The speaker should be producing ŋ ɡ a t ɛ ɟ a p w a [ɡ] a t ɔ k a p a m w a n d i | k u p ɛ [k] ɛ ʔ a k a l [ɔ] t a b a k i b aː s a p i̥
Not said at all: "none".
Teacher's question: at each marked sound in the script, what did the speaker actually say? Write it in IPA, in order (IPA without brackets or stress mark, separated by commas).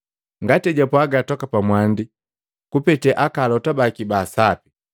ɡ, t, ɔ